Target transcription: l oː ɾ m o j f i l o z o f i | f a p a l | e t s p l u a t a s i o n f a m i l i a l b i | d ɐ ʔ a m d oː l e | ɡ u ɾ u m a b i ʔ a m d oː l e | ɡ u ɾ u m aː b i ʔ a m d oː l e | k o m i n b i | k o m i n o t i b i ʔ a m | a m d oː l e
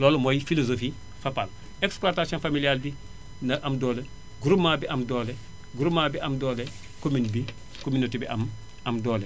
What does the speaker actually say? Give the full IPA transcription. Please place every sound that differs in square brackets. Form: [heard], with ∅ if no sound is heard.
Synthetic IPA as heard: l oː [l] m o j f i l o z o f i | f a p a l | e [k] s p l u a t a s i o n f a m i l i a l b i | [n] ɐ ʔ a m d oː l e | ɡ u ɾ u m a b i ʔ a m d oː l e | ɡ u ɾ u m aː b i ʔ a m d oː l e | k o m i n b i | k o m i n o t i b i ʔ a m | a m d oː l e